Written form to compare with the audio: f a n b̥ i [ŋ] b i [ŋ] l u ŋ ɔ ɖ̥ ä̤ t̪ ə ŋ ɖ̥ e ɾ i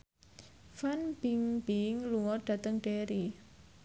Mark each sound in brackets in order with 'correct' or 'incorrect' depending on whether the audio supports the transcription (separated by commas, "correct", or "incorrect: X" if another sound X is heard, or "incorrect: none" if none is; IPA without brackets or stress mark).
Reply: correct, correct